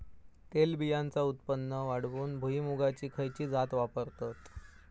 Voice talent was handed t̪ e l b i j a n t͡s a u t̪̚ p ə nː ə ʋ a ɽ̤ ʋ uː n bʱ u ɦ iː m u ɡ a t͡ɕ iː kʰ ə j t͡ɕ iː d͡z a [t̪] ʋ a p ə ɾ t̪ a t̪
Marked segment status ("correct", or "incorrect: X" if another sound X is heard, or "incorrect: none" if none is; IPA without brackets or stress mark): correct